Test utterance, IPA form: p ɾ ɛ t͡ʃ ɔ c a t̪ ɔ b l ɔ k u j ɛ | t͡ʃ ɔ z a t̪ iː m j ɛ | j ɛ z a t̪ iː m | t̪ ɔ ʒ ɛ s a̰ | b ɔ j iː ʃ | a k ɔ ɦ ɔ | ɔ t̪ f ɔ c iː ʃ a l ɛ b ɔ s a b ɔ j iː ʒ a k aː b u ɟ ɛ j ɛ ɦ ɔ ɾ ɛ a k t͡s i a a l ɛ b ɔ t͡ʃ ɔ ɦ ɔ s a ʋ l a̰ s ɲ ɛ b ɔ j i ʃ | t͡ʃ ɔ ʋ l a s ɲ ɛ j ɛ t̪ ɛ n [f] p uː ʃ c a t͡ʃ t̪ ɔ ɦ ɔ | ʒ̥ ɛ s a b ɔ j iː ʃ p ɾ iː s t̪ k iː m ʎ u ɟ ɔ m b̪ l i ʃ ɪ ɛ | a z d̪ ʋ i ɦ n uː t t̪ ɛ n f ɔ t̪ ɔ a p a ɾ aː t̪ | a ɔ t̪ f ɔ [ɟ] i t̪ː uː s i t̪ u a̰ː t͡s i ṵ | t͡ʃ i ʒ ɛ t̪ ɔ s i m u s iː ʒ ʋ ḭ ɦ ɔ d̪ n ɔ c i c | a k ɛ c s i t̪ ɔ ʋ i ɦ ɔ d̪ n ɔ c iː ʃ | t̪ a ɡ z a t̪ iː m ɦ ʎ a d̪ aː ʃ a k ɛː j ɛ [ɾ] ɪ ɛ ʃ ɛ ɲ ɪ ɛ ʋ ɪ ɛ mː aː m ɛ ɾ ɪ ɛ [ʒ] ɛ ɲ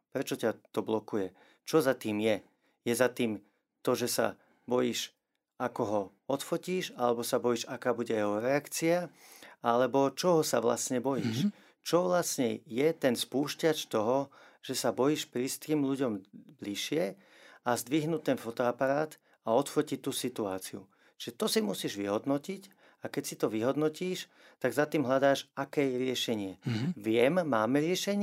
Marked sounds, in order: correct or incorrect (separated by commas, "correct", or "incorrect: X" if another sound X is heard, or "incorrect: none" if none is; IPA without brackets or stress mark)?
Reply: incorrect: s, incorrect: c, correct, incorrect: ʃ